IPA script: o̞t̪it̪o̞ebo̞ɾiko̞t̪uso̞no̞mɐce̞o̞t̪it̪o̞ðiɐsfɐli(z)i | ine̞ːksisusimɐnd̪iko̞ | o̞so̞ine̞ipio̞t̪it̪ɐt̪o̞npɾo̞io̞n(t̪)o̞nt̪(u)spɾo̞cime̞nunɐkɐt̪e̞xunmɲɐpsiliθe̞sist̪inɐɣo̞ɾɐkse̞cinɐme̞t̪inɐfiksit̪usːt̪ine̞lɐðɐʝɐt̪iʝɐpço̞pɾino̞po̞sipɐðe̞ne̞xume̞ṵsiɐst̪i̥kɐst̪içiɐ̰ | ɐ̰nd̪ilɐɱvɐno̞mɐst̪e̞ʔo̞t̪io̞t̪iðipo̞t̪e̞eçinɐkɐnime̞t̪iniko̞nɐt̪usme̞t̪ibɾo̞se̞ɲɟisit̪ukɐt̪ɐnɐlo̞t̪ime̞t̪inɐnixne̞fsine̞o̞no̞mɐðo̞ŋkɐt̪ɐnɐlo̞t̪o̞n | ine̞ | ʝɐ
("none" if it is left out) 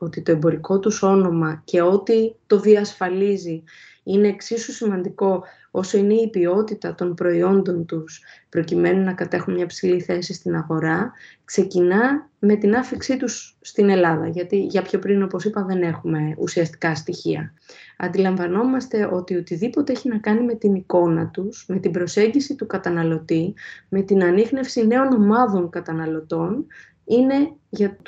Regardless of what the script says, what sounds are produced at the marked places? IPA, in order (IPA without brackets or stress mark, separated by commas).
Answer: z, d̪, u